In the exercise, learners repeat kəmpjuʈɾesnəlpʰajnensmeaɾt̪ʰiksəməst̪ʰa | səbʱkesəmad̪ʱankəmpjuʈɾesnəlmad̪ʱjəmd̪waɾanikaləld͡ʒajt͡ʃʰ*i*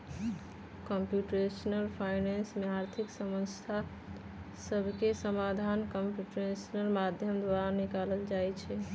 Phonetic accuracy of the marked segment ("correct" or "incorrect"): incorrect